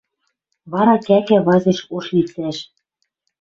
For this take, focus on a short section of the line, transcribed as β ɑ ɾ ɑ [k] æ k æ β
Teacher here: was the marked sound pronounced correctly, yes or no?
yes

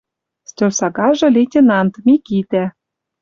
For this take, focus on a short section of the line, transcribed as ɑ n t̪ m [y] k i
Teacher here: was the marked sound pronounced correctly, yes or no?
no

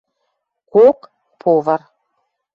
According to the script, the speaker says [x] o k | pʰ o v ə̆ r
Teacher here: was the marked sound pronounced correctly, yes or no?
no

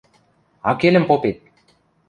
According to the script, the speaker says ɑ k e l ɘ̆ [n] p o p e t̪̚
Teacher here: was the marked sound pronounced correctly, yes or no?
no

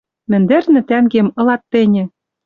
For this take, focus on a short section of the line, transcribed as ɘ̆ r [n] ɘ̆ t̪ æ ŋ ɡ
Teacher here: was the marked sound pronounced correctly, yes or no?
yes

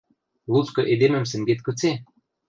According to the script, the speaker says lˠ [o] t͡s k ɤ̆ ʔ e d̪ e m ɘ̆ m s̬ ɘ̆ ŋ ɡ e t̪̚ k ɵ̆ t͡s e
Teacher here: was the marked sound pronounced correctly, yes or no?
no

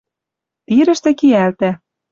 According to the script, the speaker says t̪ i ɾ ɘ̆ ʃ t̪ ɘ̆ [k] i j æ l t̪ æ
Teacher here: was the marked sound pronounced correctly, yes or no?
yes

